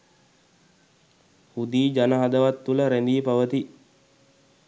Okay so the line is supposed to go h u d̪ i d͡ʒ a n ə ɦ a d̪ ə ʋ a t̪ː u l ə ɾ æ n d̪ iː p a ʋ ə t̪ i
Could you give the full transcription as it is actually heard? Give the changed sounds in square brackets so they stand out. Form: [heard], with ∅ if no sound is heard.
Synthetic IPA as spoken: h u d̪ [iː] d͡ʒ a n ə ɦ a d̪ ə ʋ a t̪ː u l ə ɾ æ n d̪ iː p a ʋ ə t̪ i